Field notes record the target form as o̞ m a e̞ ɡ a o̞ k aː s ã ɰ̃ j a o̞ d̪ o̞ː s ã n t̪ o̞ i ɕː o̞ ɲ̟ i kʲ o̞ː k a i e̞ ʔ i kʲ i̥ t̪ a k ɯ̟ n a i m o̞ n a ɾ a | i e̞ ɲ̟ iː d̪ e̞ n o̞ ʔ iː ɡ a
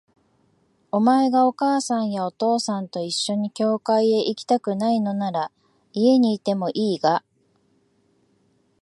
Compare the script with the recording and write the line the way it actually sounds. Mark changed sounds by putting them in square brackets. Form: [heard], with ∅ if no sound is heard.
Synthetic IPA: o̞ m a e̞ ɡ a o̞ k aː s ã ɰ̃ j a o̞ [t̪] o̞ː s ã n t̪ o̞ i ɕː o̞ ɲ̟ i kʲ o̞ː k a i e̞ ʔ i kʲ i̥ t̪ a k ɯ̟ n a i [n] o̞ n a ɾ a | i e̞ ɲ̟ iː [t̪] e̞ [m] o̞ ʔ iː ɡ a